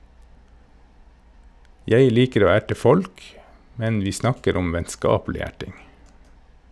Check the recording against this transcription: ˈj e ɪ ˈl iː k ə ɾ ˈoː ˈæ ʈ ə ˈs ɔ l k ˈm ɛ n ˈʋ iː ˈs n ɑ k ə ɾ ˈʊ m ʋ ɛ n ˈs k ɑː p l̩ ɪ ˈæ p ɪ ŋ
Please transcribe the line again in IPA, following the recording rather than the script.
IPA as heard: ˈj e ɪ ˈl iː k ə ɾ ˈoː ˈæ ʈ ə ˈf ɔ l k ˈm ɛ n ˈʋ iː ˈs n ɑ k ə ɾ ˈʊ m ʋ ɛ n ˈs k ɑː p l̩ ɪ ˈæ ʈ ɪ ŋ

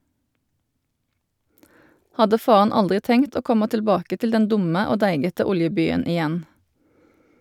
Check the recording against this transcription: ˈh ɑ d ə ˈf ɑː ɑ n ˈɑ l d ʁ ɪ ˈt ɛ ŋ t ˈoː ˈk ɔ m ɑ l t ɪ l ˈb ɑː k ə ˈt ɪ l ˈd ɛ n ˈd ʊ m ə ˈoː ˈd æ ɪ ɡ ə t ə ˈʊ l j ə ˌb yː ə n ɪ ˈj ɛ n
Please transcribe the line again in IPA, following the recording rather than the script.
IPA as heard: ˈh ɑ d ə ˈf ɑː ɑ n ˈɑ l d ʁ ɪ ˈt ɛ ŋ t ˈoː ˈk ɔ m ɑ t ɪ l ˈb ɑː k ə ˈt ɪ l ˈd ɛ n ˈd ʊ m ə ˈoː ˈd æ ɪ ɡ ə t ə ˈʊ l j ə ˌb yː ə n ɪ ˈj ɛ n

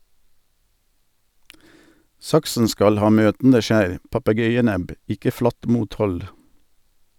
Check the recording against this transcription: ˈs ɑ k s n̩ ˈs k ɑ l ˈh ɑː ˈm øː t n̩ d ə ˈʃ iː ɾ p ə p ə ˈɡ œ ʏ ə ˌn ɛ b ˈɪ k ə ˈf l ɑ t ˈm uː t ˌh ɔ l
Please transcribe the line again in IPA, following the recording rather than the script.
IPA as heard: ˈs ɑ k s n̩ ˈs k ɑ l ˈh ɑː ˈm øː t n̩ d ə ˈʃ æː ɾ p ɑ p ə ˈɡ œ ʏ ə ˌn ɛ b ˈɪ k ə ˈf l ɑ t ˈm uː t ˌh ɔ l

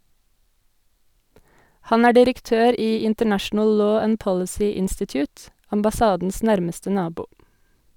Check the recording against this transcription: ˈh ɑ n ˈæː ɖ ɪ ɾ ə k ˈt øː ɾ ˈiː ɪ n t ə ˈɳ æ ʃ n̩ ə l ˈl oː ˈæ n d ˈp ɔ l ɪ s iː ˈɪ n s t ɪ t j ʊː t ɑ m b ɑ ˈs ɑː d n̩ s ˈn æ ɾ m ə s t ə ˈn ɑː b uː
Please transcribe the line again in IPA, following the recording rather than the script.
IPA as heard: ˈh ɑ n ˈæː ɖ ɪ ɾ ə k ˈt øː ɾ ˈiː ɪ n t ə ˈɳ æ ʃ n̩ ə l ˈl oː ˈæ n d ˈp ɔ l ɪ s iː ˈɪ n s t ɪ t j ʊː t ɑ m b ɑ ˈs ɑː d n̩ s ˈn æ ɾ m ə s t ə ˈn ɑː b uː

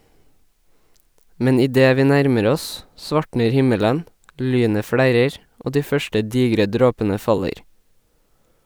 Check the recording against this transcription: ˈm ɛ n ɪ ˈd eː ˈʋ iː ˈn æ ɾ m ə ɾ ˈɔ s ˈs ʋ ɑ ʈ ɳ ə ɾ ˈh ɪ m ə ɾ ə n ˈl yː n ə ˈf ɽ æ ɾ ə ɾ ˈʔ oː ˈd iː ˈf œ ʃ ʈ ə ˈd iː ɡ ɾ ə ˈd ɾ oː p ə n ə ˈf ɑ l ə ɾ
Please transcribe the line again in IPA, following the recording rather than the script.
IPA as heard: ˈm ɛ n ɪ ˈd eː ˈʋ iː ˈn æ ɾ m ə ɾ ˈɔ s ˈs ʋ ɑ ʈ ɳ ə ɾ ˈh ɪ m ə l ə n ˈl yː n ə ˈf ɽ æ ɾ ə ɾ ˈʔ oː ˈd iː ˈf œ ʃ ʈ ə ˈd iː ɡ ɾ ə ˈd ɾ oː p ə n ə ˈf ɑ l ə ɾ

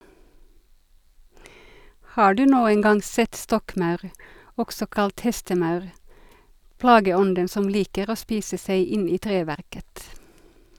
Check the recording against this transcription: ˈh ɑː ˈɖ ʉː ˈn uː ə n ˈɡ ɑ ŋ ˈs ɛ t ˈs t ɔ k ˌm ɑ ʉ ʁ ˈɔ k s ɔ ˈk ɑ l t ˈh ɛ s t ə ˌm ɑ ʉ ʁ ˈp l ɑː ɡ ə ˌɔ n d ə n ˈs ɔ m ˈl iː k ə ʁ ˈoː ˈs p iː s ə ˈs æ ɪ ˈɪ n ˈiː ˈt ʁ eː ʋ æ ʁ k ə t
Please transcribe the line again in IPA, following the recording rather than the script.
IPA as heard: ˈh ɑː ˈɖ ʉː ˈn uː ə n ˈɡ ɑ ŋ ˈs ɛ t ˈs t ɔ k ˌm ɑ ʉ ʁ ˈɔ k s ɔ ˈk ɑ l t ˈh ɛ s t ə ˌm ɑ ʉ ʁ ˈp l ɑː ɡ ə ˌɔ n d ə n ˈs ɔ m ˈl iː k ə ʁ ˈoː ˈs p iː s ə ˈs æ ɪ ˈɪ n ˈiː ˈt ʁ eː ʋ æ ʁ k ə t

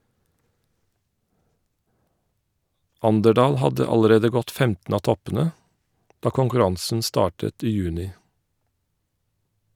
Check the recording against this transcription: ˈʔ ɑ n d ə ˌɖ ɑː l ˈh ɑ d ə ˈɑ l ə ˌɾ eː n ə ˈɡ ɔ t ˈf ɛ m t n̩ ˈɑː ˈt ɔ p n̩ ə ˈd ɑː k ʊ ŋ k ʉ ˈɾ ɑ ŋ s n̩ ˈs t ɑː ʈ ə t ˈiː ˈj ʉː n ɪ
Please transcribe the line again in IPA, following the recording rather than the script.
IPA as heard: ˈʔ ɑ n d ə ˌɖ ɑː l ˈh ɑ d ə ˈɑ l ə ˌɾ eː d ə ˈɡ ɔ t ˈf ɛ m t n̩ ˈɑː ˈt ɔ p n̩ ə ˈd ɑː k ʊ ŋ k ʉ ˈɾ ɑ ŋ s n̩ ˈs t ɑː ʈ ə t ˈiː ˈj ʉː n ɪ

